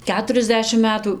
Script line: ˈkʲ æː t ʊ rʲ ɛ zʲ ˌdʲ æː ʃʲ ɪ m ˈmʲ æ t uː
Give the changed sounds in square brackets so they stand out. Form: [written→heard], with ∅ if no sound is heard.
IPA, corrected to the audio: ˈkʲ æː t ʊ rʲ ɛ zʲ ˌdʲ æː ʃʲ ɪ m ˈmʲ [æ→æː] t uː